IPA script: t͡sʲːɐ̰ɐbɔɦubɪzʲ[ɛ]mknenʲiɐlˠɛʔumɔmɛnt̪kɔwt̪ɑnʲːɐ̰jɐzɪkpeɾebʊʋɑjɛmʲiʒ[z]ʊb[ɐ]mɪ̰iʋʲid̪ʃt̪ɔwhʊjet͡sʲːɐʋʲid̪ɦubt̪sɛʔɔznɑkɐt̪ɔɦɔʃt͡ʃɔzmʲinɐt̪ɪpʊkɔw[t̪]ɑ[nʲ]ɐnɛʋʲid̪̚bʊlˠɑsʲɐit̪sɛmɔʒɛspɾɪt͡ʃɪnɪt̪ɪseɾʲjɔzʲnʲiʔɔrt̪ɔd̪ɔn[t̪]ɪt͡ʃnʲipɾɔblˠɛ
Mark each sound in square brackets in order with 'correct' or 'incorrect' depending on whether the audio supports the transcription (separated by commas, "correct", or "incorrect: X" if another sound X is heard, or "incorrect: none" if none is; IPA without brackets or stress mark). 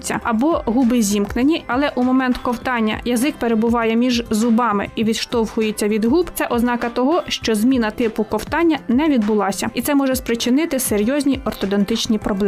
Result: incorrect: i, correct, incorrect: ɑ, correct, incorrect: nʲː, correct